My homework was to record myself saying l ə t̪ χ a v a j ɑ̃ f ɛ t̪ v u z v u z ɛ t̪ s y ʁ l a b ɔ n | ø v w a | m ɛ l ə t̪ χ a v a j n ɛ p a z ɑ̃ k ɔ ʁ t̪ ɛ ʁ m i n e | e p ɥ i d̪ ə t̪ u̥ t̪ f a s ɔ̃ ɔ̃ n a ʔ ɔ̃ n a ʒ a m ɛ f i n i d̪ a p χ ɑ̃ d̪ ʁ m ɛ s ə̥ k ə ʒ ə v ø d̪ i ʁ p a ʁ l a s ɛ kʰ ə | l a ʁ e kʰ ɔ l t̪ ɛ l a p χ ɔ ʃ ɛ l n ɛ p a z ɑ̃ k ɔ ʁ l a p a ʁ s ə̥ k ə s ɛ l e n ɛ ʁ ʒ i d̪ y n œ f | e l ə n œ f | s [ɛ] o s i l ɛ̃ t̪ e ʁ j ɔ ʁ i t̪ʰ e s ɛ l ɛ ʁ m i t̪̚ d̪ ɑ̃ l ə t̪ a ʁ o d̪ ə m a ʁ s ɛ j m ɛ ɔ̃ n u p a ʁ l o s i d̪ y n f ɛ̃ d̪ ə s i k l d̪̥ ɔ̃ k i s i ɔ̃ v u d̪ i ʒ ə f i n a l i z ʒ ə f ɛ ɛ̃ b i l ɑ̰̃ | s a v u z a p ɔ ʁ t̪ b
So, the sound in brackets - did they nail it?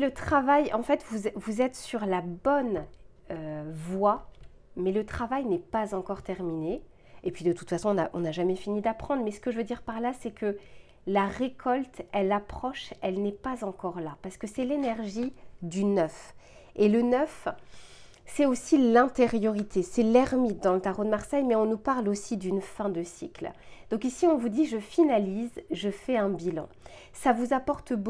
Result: yes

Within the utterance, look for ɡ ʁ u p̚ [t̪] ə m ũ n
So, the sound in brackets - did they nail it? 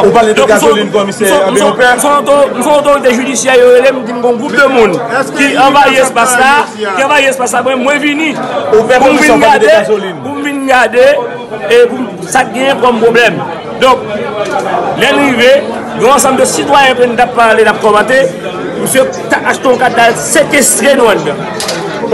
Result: no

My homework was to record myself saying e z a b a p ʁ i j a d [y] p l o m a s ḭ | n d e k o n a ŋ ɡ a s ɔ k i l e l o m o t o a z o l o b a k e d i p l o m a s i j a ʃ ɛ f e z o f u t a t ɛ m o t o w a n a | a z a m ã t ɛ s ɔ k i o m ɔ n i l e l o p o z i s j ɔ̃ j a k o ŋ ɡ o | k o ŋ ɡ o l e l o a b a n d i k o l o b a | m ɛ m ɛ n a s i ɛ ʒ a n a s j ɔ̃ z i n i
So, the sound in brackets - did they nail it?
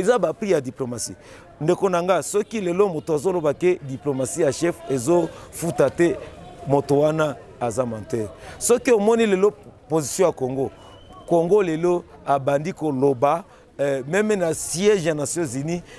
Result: no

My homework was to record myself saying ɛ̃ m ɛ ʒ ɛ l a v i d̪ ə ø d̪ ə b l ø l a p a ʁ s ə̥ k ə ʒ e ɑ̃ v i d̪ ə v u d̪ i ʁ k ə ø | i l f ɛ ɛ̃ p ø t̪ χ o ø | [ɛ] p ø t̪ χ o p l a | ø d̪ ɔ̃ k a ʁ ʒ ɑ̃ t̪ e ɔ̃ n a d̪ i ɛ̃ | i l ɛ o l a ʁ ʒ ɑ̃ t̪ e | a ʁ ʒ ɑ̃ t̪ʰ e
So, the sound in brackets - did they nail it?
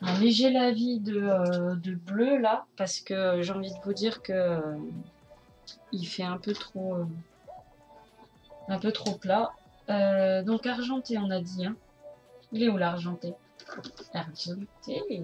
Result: no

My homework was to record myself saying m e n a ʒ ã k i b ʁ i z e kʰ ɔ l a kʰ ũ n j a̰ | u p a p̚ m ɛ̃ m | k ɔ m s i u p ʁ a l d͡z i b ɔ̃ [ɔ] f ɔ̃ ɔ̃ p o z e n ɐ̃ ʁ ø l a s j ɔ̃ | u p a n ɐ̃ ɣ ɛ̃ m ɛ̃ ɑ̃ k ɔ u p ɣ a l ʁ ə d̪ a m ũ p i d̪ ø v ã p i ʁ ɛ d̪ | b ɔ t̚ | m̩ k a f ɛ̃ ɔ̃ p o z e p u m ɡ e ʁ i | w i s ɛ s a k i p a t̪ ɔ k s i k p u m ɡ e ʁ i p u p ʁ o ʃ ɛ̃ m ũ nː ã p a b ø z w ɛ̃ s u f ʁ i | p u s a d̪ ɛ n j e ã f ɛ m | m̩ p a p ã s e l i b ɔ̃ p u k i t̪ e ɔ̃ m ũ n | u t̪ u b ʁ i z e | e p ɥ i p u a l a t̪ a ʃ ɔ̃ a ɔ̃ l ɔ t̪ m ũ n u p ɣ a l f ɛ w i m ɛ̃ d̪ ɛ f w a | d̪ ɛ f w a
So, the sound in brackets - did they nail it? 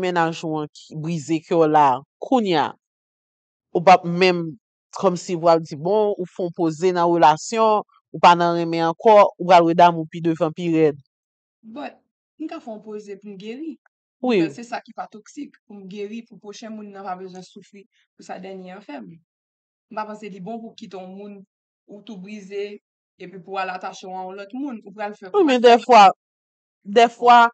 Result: no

